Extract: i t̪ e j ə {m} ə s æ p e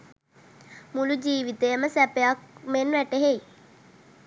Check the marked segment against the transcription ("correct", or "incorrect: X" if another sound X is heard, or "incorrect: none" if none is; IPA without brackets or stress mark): correct